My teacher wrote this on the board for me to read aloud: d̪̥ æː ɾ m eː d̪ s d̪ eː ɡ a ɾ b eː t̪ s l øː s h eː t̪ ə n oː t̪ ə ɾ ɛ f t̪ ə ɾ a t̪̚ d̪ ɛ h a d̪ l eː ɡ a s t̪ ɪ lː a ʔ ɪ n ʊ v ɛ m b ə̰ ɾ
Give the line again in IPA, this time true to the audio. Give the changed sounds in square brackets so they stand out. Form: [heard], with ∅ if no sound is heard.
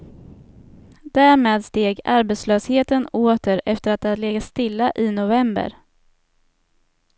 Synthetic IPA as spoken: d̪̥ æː ɾ m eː d̪ s [t̪] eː ɡ a ɾ b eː t̪ s l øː s h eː t̪ ə n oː t̪ ə ɾ ɛ f t̪ ə ɾ a t̪̚ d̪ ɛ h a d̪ l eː ɡ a s t̪ ɪ lː a ʔ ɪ n ʊ v ɛ m b ə̰ ɾ